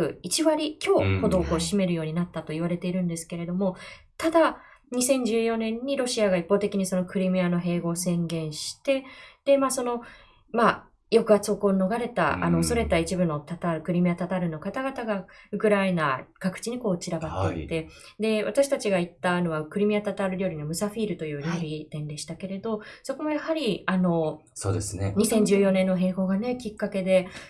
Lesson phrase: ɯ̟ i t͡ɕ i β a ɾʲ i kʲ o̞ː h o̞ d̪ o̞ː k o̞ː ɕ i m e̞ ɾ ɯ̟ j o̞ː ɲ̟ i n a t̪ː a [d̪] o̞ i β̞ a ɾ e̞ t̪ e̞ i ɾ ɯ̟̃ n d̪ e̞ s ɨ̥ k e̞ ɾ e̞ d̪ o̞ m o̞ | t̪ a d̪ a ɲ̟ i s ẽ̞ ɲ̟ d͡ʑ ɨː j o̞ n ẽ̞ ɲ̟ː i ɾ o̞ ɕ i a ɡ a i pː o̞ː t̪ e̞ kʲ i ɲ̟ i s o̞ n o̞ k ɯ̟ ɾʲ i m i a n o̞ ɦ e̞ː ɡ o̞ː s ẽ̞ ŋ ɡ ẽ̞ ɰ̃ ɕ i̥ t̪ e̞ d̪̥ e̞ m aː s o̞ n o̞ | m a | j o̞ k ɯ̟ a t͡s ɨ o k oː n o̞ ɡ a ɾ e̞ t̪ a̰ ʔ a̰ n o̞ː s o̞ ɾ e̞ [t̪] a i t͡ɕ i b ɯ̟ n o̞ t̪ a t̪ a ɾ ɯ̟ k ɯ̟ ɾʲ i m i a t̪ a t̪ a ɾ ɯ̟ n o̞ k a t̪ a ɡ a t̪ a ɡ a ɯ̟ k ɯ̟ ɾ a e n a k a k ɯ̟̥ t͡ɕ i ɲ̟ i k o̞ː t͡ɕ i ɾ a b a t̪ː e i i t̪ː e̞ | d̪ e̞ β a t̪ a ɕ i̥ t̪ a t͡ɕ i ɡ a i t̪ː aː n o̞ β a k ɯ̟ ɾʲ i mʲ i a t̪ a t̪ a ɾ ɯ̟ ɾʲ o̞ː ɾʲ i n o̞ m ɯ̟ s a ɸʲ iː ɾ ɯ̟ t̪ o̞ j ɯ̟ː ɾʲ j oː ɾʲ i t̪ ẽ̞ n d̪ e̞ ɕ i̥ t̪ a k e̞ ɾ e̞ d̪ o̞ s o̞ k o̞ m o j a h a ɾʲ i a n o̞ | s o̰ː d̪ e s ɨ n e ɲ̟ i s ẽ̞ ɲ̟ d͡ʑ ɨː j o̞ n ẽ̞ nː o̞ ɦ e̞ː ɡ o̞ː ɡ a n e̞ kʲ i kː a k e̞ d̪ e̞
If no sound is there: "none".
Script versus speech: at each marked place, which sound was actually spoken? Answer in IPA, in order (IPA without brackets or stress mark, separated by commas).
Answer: t̪, t̪